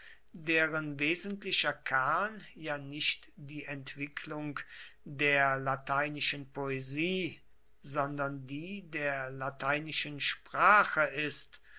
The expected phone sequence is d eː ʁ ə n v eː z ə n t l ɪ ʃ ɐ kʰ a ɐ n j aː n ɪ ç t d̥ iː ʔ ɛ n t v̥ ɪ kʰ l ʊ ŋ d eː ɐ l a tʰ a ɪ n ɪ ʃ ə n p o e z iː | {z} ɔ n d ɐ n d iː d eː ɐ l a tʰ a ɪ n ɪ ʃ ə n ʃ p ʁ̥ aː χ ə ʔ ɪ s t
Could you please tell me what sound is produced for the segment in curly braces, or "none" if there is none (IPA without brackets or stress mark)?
z